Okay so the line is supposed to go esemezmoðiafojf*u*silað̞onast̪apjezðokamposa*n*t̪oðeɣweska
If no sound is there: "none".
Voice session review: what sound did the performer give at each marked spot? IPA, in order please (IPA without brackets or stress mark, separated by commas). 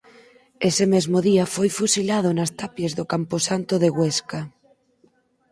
u, n